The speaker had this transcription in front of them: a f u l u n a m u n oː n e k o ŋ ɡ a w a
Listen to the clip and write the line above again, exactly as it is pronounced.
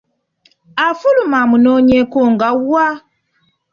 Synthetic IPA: a f u l u m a m u n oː ɲ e k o ŋ ɡ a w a